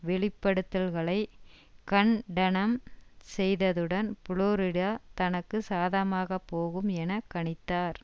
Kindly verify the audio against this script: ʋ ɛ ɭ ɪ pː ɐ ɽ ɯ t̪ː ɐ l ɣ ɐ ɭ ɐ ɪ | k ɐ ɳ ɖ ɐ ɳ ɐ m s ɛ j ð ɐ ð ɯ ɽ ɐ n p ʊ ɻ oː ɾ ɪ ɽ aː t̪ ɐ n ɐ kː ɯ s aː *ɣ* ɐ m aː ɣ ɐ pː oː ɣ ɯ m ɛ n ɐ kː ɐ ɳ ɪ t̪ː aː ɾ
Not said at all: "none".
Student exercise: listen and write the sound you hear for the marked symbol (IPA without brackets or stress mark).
ð